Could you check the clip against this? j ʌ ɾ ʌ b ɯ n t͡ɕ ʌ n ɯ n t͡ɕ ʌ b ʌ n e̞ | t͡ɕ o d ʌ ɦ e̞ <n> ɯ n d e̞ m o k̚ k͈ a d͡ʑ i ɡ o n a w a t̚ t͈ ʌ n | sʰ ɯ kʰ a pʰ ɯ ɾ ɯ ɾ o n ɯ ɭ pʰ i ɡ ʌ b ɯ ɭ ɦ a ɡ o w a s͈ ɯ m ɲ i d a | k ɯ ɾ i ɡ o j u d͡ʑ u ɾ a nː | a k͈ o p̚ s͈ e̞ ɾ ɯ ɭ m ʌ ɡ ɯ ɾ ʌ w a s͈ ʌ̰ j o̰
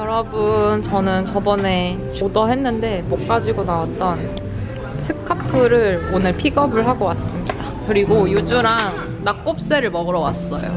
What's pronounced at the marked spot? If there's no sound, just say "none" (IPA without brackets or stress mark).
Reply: nː